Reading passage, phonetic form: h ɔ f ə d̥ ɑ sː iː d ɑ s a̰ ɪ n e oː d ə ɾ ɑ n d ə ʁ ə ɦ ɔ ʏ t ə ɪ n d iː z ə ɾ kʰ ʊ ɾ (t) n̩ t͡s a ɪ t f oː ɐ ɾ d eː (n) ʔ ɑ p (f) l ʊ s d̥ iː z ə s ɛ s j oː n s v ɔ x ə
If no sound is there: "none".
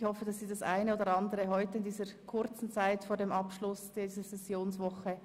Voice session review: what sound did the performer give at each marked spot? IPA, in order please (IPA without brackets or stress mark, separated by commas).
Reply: t͡s, m, ʃ